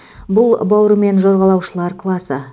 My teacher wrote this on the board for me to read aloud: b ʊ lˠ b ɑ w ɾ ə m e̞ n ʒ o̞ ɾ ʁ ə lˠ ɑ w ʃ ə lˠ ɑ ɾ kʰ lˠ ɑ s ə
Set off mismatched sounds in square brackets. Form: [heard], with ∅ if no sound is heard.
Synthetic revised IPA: b ʊ lˠ b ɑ w ɾ ə m e̞ n ʒ o̞ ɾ ʁ [ɑ] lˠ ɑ w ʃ ə lˠ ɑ ɾ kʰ lˠ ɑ s ə